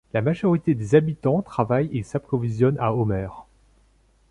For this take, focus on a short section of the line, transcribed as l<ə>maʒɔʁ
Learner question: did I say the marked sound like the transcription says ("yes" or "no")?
no